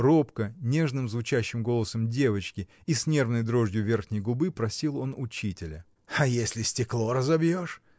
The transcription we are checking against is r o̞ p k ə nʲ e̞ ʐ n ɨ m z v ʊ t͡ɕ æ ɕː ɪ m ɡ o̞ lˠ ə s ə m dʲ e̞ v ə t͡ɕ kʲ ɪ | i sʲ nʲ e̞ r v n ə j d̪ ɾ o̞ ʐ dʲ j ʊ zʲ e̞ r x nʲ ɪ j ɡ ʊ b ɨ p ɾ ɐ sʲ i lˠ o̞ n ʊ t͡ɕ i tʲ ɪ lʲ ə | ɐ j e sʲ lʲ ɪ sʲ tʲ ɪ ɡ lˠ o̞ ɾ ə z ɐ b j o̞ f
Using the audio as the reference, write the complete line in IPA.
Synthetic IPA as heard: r o̞ p k ə nʲ e̞ ʐ n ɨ m z v ʊ t͡ɕ æ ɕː ɪ m ɡ o̞ lˠ ə s ə m dʲ e̞ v ə t͡ɕ kʲ ɪ | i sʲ nʲ e̞ r v n ə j d̪ ɾ o̞ ʐ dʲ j ʊ vʲ e̞ r x nʲ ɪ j ɡ ʊ b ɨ p ɾ ɐ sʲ i lˠ o̞ n ʊ t͡ɕ i tʲ ɪ lʲ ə | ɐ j e sʲ lʲ ɪ sʲ tʲ ɪ k lˠ o̞ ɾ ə z ɐ b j o̞ ʂ

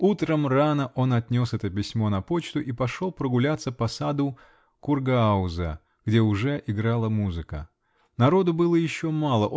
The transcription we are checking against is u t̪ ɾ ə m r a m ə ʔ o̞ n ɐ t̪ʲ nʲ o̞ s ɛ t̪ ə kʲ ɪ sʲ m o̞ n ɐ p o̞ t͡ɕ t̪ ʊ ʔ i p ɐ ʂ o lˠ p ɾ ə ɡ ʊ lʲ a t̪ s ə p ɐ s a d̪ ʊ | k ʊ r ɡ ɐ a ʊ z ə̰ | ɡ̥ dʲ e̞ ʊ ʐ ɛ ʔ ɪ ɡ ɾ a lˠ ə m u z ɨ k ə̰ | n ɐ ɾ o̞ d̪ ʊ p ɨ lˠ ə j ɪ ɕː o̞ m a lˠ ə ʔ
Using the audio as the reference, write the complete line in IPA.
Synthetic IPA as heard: u t̪ ɾ ə m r a n ə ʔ o̞ n ɐ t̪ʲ nʲ o̞ s ɛ t̪ ə pʲ ɪ sʲ m o̞ n ɐ p o̞ t͡ɕ t̪ ʊ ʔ i p ɐ ʂ o lˠ p ɾ ə ɡ ʊ lʲ a t̪ s ə p ɐ s a d̪ ʊ | k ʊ r ɡ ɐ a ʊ z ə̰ | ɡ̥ dʲ e̞ ʊ ʐ ɛ ʔ ɪ ɡ ɾ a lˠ ə m u z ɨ k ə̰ | n ɐ ɾ o̞ d̪ ʊ b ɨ lˠ ə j ɪ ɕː o̞ m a lˠ ə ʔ

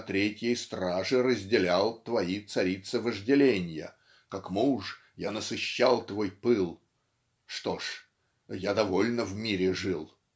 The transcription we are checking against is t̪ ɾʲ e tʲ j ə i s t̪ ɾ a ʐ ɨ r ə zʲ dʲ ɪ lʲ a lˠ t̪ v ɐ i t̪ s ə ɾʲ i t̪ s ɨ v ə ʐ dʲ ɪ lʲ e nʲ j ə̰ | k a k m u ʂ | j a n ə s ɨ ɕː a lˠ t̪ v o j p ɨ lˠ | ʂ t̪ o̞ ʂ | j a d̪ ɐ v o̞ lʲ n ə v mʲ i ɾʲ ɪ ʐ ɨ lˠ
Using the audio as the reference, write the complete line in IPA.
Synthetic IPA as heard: t̪ ɾʲ e tʲ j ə j s t̪ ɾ a ʐ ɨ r ə zʲ dʲ ɪ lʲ a lˠ t̪ v ɐ i t̪ s ɐ ɾʲ i t̪ s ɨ v ə ʐ dʲ ɪ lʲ e nʲ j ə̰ | k a k m u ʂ | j a n ə s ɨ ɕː a lˠ t̪ v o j p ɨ lˠ | ʂ t̪ o̞ ʂ | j a d̪ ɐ v o̞ lʲ n ə v mʲ i ɾʲ ɪ ʐ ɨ lˠ

